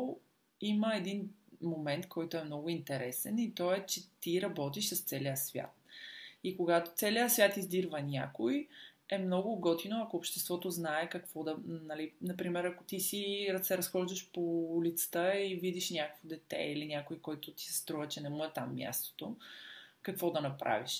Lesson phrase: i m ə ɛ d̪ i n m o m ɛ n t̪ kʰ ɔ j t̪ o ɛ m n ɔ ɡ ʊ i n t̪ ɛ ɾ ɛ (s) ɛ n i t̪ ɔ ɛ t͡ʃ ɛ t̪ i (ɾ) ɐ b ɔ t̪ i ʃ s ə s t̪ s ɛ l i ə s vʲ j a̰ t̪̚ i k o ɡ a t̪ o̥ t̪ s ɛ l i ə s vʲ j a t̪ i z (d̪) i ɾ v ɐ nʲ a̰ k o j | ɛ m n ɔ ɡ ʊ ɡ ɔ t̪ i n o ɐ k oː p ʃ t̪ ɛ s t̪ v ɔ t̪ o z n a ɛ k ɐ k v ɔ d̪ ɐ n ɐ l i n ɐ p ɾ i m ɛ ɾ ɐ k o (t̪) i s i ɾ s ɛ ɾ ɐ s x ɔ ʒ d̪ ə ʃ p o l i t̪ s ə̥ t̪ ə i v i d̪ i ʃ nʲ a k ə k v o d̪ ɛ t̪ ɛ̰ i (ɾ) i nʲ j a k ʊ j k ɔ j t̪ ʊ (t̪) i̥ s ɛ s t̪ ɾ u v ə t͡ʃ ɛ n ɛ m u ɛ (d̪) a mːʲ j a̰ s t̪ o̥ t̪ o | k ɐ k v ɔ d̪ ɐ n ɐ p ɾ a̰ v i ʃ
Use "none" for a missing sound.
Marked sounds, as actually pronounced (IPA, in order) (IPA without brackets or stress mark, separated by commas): s, ɾ, d̪, t̪, l, t̪, t̪